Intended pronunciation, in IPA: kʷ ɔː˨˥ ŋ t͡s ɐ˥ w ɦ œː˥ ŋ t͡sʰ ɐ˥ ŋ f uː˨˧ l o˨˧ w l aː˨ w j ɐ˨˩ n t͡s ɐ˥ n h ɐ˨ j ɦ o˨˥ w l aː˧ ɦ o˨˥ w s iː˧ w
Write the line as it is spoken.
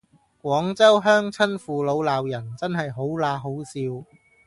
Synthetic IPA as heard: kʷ ɔː˨˥ ŋ t͡s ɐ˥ w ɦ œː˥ ŋ t͡sʰ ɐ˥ n f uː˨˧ l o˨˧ w l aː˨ w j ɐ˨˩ n t͡s ɐ˥ n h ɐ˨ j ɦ o˨˥ w l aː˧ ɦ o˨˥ w s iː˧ w